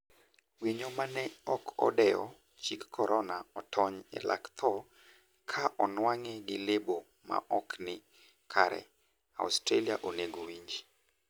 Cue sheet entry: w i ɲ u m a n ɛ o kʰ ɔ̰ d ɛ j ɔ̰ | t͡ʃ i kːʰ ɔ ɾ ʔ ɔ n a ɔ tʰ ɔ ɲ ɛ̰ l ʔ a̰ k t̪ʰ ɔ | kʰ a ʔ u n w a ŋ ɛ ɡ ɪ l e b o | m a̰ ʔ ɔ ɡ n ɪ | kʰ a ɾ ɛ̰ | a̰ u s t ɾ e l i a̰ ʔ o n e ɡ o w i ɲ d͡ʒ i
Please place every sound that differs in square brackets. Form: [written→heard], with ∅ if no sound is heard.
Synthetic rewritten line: w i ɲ [u→o] m a n ɛ [o→ɔ] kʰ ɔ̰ d ɛ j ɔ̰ | t͡ʃ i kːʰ ɔ ɾ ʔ ɔ n a ɔ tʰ ɔ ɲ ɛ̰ l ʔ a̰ k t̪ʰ ɔ | kʰ a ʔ [u→ɔ] n w a ŋ ɛ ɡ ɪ l e b o | m a̰ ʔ ɔ [ɡ→k] n ɪ | kʰ a ɾ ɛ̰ | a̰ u s t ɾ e l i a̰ ʔ o n e ɡ o w i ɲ d͡ʒ i